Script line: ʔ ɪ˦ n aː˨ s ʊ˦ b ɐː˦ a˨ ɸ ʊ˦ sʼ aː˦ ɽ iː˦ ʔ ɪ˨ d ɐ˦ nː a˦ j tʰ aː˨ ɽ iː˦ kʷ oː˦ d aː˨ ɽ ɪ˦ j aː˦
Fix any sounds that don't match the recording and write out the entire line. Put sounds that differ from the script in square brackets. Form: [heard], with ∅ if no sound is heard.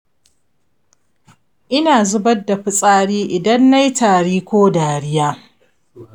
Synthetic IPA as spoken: ʔ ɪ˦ n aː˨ [z] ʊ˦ b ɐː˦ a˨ ɸ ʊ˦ sʼ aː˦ ɽ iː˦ ʔ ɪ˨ d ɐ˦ nː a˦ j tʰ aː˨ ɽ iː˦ kʷ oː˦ d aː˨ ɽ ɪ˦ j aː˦